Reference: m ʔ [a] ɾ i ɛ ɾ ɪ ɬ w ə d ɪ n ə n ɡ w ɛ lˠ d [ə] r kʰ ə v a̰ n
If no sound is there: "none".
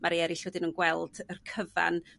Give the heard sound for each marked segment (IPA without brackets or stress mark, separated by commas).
a, ə